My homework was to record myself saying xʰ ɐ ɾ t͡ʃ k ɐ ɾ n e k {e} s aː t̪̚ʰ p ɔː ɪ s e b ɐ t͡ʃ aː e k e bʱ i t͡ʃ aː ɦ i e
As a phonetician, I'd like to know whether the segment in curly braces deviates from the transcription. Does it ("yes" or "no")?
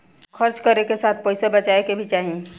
no